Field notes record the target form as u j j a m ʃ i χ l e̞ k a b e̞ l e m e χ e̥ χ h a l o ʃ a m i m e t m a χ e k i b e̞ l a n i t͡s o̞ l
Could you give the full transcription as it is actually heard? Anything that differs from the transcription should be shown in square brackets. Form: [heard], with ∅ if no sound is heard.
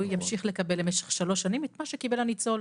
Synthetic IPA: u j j a m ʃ i χ l e̞ k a b e̞ l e m e [ʃ] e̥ χ [ʃ] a l o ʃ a [n] i m e t m a [ʃ] e k i b e̞ l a n i t͡s o̞ l